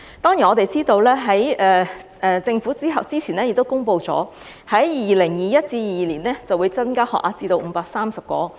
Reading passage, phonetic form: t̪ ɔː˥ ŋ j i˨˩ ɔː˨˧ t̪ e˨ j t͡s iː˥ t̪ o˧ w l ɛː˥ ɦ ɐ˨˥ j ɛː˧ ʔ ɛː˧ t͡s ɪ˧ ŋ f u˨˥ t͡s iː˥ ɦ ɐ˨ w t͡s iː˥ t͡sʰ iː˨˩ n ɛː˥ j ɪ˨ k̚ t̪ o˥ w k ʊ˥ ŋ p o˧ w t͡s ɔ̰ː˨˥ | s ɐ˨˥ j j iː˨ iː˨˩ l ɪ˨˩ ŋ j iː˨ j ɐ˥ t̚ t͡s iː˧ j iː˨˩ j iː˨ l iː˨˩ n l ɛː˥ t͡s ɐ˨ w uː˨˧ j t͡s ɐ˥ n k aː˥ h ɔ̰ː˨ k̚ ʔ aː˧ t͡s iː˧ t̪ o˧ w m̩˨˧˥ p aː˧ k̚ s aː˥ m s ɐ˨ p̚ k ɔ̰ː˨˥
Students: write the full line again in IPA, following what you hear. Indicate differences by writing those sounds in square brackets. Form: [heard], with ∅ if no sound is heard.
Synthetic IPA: t̪ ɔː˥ ŋ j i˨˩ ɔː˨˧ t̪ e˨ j t͡s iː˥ t̪ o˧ w l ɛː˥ ɦ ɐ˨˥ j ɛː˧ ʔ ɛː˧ t͡s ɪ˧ ŋ f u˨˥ t͡s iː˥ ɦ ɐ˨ w t͡s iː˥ t͡sʰ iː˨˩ n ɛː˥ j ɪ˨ k̚ t̪ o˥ w k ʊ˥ ŋ p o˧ w t͡s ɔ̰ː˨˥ | [h] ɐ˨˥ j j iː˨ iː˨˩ l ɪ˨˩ ŋ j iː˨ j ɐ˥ t̚ t͡s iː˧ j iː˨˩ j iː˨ l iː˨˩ n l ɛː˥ t͡s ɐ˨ w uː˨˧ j t͡s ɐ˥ n k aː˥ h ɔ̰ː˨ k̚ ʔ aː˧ t͡s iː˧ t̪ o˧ w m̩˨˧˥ p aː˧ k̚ s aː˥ m s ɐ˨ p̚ k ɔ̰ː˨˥

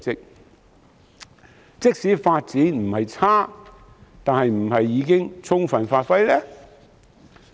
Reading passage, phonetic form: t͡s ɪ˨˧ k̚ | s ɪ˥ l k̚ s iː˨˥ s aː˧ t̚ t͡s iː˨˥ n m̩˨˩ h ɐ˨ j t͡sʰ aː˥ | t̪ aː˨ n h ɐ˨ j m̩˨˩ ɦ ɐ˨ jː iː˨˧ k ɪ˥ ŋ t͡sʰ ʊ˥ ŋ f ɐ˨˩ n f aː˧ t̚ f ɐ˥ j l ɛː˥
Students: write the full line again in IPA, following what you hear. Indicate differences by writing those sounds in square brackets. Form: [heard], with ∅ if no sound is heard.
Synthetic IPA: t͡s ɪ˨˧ k̚ | [t͡s] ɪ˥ [∅] k̚ s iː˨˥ [f] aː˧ t̚ t͡s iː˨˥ n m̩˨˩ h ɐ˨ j t͡sʰ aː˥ | t̪ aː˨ n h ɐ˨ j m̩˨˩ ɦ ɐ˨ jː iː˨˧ k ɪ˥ ŋ t͡sʰ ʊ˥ ŋ f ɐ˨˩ n f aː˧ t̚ f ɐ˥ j l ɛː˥

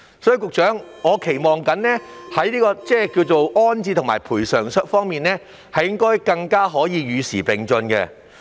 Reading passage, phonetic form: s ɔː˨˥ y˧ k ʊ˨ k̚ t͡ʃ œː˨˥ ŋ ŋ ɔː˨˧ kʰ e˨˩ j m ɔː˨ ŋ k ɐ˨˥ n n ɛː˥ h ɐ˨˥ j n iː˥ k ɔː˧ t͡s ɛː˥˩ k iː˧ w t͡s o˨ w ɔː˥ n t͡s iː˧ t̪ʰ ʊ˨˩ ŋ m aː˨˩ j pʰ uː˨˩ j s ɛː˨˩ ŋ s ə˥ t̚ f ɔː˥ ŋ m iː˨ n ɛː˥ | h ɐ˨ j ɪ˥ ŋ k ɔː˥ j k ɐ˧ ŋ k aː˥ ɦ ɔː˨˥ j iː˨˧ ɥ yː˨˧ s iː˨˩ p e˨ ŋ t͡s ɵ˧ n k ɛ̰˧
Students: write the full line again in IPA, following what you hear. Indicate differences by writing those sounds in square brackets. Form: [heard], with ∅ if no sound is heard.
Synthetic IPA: s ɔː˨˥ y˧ k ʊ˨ k̚ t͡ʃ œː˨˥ ŋ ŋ ɔː˨˧ kʰ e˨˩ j m ɔː˨ ŋ k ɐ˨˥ n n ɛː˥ h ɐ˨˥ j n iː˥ k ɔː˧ t͡s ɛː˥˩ k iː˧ w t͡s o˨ w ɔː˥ n t͡s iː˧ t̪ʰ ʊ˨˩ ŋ m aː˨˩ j pʰ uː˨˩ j s [œː˨˩] ŋ s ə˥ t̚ f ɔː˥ ŋ m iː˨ n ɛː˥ | h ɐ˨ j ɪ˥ ŋ k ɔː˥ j k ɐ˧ ŋ k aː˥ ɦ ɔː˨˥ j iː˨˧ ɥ yː˨˧ s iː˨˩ p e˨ ŋ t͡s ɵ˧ n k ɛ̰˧

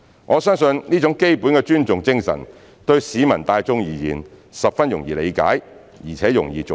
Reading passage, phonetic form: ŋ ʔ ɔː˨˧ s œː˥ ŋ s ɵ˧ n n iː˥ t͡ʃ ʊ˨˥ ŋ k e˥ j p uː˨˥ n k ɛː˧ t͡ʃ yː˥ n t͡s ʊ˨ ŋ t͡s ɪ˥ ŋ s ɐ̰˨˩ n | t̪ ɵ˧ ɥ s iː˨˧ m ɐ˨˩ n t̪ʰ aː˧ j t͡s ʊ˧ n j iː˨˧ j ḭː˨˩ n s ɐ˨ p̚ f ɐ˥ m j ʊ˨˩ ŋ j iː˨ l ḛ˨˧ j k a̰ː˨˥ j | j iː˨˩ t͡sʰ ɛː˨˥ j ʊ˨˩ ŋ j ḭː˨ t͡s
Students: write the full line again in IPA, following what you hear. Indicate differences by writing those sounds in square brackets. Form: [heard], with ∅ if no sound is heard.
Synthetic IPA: ŋ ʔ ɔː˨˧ s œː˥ ŋ s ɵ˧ n n iː˥ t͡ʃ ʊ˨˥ ŋ k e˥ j p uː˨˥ n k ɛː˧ t͡ʃ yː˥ n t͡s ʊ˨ ŋ t͡s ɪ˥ ŋ s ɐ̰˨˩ n | t̪ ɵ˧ ɥ s iː˨˧ m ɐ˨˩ n [t̪] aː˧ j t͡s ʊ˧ [ŋ] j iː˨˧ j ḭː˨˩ n s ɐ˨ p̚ f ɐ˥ [n] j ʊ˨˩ ŋ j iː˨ l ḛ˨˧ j k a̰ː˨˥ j | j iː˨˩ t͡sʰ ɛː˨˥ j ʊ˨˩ ŋ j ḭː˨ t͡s

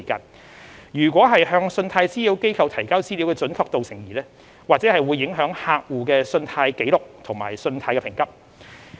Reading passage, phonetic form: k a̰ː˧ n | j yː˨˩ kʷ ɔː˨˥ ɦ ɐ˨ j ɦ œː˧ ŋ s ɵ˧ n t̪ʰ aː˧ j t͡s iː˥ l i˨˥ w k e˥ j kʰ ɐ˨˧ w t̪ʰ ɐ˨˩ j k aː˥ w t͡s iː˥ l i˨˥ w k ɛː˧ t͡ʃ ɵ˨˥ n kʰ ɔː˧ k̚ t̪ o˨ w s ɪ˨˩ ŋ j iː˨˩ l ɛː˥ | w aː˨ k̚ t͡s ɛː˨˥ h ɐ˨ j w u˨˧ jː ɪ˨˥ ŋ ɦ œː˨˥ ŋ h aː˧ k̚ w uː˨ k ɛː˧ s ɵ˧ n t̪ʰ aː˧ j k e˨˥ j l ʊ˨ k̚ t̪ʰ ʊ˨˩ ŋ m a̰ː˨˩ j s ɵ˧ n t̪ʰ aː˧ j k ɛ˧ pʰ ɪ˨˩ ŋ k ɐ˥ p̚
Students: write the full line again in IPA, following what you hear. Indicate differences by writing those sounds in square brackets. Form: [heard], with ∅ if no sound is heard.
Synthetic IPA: k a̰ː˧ n | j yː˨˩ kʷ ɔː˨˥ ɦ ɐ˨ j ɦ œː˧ ŋ s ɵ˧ n t̪ʰ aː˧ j t͡s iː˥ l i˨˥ w k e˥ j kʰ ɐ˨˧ w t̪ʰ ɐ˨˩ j k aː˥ w t͡s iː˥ l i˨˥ w k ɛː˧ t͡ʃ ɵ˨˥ n kʰ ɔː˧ k̚ t̪ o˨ w s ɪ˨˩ ŋ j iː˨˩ l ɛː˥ | w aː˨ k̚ t͡s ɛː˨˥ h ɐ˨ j w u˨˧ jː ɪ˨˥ ŋ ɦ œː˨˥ ŋ h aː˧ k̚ w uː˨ k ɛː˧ s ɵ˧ n t̪ʰ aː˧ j k e˨˥ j l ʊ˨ k̚ t̪ʰ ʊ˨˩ ŋ m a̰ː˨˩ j s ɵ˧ n t̪ʰ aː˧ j k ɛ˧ pʰ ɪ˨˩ ŋ k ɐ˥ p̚

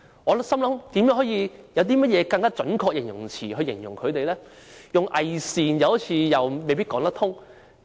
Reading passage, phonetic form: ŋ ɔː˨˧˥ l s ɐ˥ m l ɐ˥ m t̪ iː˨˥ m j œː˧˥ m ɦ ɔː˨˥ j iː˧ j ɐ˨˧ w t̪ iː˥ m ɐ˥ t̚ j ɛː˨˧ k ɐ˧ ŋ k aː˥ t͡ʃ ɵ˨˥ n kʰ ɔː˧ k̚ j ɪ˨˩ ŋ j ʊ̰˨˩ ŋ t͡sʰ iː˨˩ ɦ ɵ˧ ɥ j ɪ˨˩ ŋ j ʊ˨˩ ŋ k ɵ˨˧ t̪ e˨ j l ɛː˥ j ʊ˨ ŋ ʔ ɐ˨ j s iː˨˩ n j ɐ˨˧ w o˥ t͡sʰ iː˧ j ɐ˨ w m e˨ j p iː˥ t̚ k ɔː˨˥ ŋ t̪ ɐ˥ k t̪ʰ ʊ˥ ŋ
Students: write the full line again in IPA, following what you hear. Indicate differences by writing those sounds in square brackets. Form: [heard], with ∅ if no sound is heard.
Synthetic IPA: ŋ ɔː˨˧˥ l s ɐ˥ m l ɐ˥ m t̪ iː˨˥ m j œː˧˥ [ŋ] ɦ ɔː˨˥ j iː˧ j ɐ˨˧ w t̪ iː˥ m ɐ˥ t̚ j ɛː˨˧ k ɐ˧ ŋ k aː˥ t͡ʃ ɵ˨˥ n kʰ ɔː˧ k̚ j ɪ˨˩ ŋ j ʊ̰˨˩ ŋ t͡sʰ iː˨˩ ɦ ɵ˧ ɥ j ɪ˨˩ ŋ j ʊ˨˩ ŋ [kʰ] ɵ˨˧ t̪ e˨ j l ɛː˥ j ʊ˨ ŋ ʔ ɐ˨ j s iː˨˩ n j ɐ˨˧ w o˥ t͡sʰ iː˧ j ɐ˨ w m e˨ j p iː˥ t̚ k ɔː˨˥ ŋ t̪ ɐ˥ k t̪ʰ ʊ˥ ŋ

